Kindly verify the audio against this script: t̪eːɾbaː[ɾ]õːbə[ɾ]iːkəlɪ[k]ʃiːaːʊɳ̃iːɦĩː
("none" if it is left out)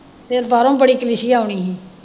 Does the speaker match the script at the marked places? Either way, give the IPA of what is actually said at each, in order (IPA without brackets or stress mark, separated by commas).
ɾ, ɽ, none